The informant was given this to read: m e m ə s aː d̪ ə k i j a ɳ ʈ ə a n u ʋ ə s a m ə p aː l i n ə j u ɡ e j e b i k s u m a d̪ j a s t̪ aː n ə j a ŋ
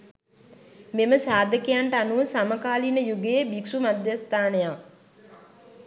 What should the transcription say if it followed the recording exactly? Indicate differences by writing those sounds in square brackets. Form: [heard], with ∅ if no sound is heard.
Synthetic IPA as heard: m e m ə s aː d̪ ə k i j a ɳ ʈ ə a n u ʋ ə s a m ə [k] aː l i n ə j u ɡ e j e b i k s u m a d̪ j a s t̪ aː n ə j a ŋ

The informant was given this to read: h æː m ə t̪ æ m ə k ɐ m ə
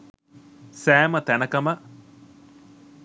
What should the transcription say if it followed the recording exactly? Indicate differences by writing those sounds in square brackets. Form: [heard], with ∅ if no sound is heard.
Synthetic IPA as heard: [s] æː m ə t̪ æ [n] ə k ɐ m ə

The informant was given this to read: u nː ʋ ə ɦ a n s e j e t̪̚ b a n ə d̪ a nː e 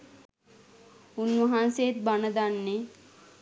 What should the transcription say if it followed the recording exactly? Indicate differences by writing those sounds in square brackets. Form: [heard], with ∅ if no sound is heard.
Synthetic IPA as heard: u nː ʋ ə ɦ a n s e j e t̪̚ b a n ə d̪ a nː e

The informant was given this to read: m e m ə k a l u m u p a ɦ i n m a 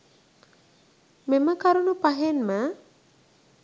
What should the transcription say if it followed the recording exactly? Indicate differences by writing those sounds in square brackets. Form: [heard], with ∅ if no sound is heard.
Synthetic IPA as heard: m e m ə k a [ɾ] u [n] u p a ɦ [e] n m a

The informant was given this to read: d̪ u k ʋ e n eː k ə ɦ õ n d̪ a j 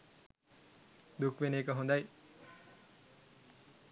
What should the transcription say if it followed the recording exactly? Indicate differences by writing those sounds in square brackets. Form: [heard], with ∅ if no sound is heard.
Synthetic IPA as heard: d̪ u k ʋ e n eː k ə ɦ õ n d̪ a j

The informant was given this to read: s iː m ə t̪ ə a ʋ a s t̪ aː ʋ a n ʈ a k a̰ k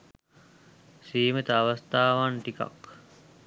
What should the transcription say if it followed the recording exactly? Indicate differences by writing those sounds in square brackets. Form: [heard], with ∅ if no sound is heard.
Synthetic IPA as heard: s iː m ə t̪ ə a ʋ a s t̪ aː ʋ a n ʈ [i] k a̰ k

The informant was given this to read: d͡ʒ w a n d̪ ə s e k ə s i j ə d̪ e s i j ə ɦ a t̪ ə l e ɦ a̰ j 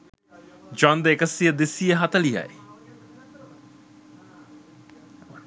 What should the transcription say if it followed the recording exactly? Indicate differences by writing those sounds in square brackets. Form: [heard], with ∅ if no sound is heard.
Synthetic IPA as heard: d͡ʒ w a n d̪ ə [∅] e k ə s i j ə d̪ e s i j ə ɦ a t̪ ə l [i] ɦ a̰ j

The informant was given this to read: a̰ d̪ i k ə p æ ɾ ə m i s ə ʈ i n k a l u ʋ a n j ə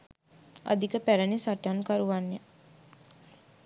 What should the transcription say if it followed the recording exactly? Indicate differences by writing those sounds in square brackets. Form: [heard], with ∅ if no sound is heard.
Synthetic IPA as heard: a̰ d̪ i k ə p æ ɾ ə [n] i s [a] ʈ [a] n k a [ɾ] u ʋ a n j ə

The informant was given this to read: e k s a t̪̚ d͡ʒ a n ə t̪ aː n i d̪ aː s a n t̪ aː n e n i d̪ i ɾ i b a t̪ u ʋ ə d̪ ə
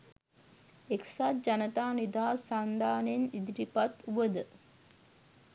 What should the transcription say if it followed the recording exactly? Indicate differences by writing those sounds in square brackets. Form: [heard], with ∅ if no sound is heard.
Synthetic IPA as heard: e k s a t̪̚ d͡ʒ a n ə t̪ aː n i d̪ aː s a n [d̪] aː n e n i d̪ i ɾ i [p] a t̪ u ʋ ə d̪ ə

